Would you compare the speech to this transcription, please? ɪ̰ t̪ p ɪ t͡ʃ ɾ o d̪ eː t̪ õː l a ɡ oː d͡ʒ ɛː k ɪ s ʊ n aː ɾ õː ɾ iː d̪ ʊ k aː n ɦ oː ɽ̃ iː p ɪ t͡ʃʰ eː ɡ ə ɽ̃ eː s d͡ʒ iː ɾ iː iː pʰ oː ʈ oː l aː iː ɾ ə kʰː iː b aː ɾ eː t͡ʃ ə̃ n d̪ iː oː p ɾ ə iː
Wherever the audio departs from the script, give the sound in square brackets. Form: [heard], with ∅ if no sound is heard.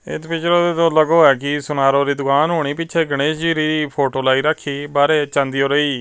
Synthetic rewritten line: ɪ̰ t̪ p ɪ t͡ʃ ɾ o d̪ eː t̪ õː l [ə] ɡ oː [∅] ɛː k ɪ s ʊ n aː ɾ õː ɾ iː d̪ ʊ k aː n ɦ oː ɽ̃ iː p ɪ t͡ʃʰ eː ɡ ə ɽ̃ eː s d͡ʒ iː ɾ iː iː pʰ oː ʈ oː l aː iː ɾ ə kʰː iː b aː ɾ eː t͡ʃ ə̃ n d̪ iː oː [∅] ɾ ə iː